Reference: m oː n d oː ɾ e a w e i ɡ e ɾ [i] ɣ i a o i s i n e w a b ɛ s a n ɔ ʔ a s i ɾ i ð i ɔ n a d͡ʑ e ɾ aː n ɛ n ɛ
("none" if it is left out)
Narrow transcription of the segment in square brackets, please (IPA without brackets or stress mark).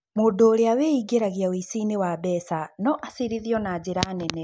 a